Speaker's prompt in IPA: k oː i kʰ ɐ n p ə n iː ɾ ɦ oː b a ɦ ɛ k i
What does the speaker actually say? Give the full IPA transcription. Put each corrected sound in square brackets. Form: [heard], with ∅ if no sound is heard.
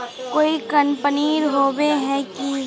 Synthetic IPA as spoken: k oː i [k] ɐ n p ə n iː ɾ ɦ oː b [e] ɦ ɛ k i